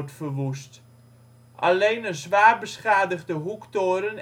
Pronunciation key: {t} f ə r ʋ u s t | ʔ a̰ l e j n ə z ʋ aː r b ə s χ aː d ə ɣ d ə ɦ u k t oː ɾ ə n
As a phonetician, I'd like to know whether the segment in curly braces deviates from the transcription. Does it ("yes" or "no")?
no